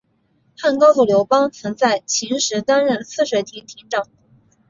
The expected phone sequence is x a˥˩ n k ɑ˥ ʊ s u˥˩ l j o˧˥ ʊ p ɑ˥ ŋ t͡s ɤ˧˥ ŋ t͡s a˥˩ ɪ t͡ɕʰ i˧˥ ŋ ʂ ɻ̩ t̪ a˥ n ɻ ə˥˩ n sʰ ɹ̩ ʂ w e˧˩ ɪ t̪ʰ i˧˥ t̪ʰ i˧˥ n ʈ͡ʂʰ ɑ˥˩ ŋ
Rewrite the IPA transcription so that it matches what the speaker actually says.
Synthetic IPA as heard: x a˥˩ n k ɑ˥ ʊ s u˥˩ l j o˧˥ ʊ p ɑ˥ ŋ t͡sʰ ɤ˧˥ ŋ t͡s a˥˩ ɪ t͡ɕʰ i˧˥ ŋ ʂ ɻ̩ t̪ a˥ n ɻ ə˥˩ n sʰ ɹ̩ ʂ w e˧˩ ɪ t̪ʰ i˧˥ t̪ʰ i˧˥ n ʈ͡ʂ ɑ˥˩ ŋ